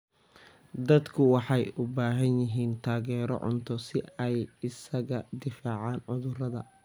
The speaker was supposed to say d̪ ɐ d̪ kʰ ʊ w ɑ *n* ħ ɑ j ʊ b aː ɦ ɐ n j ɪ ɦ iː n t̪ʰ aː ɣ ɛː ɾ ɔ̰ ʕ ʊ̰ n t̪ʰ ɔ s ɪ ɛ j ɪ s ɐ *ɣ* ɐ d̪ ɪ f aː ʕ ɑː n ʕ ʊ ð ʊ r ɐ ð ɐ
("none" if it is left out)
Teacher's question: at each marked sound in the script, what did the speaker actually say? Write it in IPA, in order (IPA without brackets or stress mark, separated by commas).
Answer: none, ɣ